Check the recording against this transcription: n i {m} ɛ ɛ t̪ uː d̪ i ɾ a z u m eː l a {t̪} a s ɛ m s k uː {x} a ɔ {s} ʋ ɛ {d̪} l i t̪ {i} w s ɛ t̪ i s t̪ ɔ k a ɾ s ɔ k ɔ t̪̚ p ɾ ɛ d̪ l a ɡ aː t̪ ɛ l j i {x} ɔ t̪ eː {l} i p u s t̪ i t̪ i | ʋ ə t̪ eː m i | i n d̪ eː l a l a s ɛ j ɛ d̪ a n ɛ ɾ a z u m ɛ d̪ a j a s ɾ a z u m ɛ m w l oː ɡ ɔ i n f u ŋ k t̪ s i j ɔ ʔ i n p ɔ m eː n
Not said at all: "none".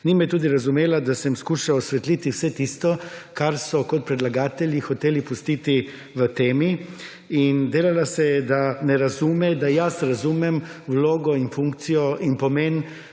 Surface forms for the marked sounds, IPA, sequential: m, d̪, ʃ, s, t̪, i, x, l

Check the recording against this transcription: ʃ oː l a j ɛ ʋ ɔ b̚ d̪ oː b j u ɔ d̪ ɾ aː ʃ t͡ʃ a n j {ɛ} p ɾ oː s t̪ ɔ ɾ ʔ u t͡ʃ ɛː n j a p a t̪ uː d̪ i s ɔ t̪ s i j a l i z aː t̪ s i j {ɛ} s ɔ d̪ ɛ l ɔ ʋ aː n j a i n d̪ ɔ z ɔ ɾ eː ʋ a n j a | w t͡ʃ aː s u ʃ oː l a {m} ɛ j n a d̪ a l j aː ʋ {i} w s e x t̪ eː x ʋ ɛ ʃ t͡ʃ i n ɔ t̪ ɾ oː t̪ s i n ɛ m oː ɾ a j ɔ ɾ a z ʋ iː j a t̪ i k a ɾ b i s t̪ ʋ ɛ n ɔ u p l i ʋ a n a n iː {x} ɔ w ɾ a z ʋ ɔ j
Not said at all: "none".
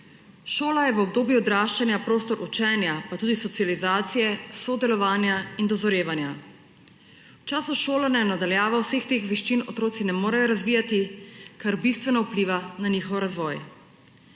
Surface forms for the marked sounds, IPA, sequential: a, ɛ, n, a, x

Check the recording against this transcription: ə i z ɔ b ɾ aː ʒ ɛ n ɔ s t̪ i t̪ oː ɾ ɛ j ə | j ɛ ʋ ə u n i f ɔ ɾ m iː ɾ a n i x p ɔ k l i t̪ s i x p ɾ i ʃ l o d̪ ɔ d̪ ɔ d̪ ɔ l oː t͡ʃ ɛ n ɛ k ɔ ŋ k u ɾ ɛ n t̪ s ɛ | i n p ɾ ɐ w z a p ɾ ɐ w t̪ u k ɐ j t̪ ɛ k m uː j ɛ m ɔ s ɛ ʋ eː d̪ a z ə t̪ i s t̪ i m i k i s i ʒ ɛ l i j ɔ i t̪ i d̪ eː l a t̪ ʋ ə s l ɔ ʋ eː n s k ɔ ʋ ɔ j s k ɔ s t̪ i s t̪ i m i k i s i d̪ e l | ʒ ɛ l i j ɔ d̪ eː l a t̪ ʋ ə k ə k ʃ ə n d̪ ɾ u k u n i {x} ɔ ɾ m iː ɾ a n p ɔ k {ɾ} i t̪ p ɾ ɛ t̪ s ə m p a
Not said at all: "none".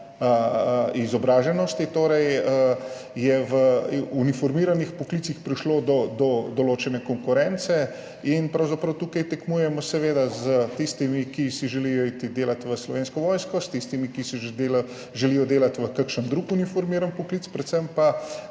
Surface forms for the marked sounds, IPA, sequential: f, l

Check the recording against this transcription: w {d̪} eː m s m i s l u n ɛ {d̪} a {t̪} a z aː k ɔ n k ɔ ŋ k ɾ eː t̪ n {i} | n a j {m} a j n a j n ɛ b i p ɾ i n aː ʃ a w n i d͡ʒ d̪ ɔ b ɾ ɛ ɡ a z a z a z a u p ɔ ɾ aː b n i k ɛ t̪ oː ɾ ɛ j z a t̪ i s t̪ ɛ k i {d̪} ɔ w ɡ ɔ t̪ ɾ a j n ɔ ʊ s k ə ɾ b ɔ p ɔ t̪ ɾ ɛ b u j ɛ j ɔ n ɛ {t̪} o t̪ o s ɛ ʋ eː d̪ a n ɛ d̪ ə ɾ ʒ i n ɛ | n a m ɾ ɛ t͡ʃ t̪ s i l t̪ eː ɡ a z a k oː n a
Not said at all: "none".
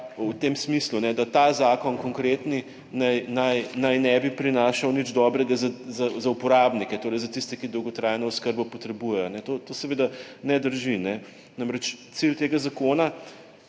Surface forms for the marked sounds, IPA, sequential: t̪, d̪, t̪, i, n, d̪, t̪

